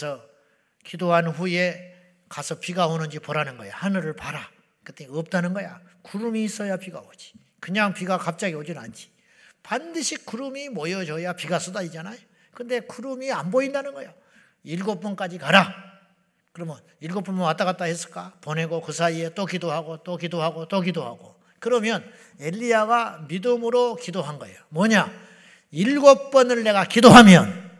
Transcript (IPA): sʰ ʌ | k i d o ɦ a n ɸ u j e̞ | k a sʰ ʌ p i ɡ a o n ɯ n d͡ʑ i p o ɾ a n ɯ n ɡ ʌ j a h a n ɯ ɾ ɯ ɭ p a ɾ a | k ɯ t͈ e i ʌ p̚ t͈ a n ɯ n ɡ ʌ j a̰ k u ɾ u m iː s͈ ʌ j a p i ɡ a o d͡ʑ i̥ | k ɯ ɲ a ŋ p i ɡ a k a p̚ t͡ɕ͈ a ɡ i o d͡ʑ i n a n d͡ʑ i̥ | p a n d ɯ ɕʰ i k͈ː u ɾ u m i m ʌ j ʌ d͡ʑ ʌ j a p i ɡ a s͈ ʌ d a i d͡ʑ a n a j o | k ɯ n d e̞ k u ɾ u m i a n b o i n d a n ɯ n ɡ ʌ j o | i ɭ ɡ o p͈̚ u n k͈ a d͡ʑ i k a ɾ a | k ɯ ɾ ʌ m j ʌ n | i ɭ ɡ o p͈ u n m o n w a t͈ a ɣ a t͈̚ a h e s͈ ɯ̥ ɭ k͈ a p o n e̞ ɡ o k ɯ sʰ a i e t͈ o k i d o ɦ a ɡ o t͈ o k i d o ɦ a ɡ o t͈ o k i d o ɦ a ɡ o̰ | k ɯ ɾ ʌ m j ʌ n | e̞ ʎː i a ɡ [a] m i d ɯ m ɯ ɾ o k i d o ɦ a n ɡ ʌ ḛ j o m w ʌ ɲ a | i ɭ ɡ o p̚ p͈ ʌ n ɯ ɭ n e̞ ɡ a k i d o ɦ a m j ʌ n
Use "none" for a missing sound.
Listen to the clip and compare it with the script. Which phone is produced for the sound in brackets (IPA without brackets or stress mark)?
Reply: a